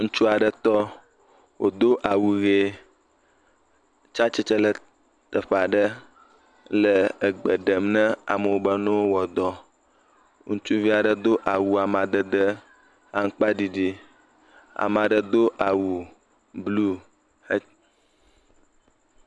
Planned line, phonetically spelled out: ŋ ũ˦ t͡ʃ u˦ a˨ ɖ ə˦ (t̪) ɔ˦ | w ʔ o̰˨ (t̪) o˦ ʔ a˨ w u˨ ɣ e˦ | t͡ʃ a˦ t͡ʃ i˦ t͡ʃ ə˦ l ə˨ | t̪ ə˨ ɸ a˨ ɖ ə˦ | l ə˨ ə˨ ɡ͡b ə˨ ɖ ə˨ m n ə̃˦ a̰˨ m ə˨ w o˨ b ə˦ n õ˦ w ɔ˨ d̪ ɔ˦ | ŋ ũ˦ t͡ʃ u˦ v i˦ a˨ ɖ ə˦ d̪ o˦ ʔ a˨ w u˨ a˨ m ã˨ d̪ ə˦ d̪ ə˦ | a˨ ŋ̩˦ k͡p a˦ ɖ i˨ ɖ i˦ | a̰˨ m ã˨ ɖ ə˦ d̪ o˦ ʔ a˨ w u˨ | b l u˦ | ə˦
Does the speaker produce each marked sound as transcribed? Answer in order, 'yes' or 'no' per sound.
yes, no

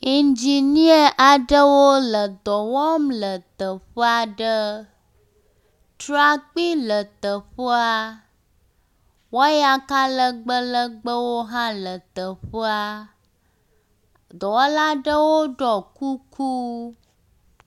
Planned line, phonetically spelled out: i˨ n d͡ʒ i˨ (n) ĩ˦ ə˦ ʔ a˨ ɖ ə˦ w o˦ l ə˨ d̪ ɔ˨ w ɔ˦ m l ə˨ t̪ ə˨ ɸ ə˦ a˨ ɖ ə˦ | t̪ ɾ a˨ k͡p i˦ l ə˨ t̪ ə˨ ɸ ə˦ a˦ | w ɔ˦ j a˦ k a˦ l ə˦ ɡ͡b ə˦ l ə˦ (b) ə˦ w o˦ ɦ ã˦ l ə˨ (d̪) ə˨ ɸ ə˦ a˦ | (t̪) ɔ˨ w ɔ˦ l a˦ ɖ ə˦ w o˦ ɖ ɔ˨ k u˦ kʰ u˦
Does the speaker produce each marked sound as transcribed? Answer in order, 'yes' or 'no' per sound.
yes, no, no, no

